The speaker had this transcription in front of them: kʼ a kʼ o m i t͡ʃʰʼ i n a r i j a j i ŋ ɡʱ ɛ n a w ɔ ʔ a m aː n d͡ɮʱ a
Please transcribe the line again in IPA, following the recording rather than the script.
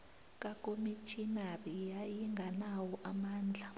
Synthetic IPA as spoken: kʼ a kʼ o m i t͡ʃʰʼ i n a r i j a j i ŋ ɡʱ a n a w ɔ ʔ a m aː n d͡ɮʱ a

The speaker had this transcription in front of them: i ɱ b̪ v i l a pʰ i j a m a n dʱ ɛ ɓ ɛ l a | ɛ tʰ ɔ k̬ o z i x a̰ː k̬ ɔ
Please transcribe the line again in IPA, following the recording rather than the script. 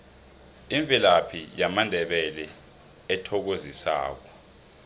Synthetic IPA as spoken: i ɱ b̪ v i l a pʰ i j a m a n dʱ ɛ ɓ ɛ l ɛ | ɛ tʰ ɔ k̬ o z i s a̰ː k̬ ɔ

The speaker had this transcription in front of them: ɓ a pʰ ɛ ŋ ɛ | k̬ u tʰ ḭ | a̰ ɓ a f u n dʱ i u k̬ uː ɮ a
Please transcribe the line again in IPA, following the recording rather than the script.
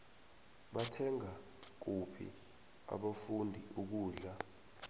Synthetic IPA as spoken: ɓ a tʰ ɛ ŋ a | k̬ u pʰ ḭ | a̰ ɓ a f u n dʱ i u k̬ uː ɮ a

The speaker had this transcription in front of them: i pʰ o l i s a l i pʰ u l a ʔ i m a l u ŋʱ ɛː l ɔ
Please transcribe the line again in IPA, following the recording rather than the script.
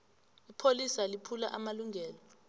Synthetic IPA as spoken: i pʰ o l i s a l i pʰ u l a ʔ a m a l u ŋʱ ɛː l ɔ

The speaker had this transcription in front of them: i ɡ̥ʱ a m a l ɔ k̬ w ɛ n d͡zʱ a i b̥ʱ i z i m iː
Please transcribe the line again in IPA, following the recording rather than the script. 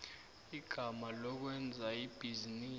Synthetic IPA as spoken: i ɡ̥ʱ a m a l ɔ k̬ w ɛ n d͡zʱ a i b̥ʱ i z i n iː

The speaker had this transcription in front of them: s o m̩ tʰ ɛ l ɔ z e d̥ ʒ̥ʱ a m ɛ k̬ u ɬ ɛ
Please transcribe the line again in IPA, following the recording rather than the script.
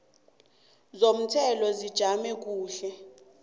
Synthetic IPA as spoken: z o m̩ tʰ ɛ l ɔ z i d̥ ʒ̥ʱ a m ɛ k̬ uː ɬ ɛ

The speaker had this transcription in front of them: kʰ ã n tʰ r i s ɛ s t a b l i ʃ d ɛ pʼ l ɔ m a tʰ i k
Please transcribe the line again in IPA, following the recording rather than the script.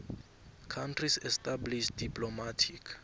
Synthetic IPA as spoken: kʰ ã n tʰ r i s ɛ s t a b l i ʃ d i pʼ l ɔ m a tʰ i k

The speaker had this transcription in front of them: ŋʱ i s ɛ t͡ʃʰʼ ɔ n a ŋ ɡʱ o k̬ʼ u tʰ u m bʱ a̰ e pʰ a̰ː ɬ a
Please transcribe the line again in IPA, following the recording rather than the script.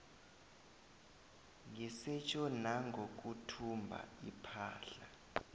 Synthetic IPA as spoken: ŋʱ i s ɛ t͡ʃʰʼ ɔ n a ŋ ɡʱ o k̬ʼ u tʰ u m bʱ a̰ i pʰ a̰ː ɬ a

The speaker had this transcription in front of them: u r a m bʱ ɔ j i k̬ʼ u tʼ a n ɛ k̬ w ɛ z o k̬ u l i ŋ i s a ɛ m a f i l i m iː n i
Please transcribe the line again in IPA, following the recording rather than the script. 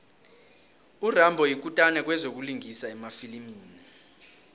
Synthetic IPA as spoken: u r a m bʱ ɔ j i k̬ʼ u tʼ a n ɛ k̬ w ɛ z o k̬ u l i ŋ i s a ɛ m a f i l i m iː n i

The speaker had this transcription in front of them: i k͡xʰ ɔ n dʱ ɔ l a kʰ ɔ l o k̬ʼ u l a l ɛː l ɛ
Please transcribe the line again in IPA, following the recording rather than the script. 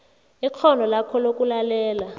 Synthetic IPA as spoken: i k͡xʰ ɔ n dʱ ɔ l a kʰ ɔ l o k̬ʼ u l a l ɛː l a

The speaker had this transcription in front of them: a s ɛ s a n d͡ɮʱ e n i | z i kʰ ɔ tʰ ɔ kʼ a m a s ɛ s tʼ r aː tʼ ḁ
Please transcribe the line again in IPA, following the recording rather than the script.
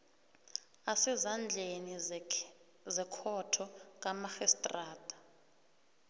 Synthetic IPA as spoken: a s ɛ z a n d͡ɮʱ e n i | z ɛ kʰ ɔ tʰ ɔ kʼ a m a x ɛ s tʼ r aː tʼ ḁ

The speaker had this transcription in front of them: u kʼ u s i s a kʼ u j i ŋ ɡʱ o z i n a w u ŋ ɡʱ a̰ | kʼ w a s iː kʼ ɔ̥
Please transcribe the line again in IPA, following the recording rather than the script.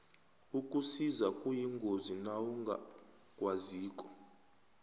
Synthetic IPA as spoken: u kʼ u s i z a kʼ u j i ŋ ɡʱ o z i n a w u ŋ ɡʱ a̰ | kʼ w a z iː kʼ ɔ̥

